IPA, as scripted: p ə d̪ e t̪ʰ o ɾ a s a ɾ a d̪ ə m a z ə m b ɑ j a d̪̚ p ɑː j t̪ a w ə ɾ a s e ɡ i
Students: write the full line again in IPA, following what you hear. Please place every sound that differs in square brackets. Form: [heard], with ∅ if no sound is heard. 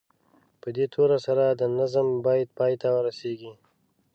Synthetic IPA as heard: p ə d̪ e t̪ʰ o ɾ a s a ɾ a d̪ ə [n] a z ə m b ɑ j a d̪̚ p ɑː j t̪ a w ə ɾ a s e ɡ i